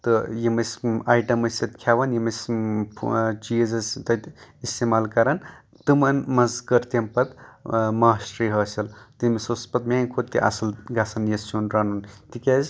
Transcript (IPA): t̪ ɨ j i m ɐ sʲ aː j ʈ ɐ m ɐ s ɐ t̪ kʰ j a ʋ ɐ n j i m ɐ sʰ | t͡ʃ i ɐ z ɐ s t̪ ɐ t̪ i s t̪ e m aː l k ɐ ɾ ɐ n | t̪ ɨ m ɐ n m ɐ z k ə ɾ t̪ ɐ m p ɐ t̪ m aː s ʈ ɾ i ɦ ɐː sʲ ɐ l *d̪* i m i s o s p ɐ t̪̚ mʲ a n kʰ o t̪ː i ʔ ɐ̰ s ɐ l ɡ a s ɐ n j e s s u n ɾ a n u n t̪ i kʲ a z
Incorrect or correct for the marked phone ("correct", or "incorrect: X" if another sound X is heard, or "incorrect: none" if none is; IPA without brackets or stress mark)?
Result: incorrect: t̪